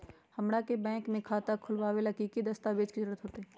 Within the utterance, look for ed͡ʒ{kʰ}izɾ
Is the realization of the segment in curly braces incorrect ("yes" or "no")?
yes